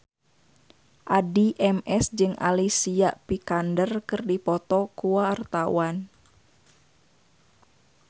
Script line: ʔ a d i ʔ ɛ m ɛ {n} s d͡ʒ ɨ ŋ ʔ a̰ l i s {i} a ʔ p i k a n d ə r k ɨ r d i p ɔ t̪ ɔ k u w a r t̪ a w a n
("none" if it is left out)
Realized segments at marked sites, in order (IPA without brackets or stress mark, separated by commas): none, i